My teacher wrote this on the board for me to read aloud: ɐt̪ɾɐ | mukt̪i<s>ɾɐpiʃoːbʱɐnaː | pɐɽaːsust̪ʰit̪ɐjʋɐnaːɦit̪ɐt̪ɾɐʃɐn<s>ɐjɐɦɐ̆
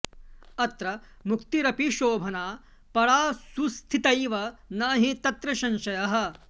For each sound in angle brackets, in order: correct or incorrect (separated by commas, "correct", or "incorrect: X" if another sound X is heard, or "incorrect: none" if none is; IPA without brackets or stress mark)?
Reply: incorrect: none, incorrect: ʃ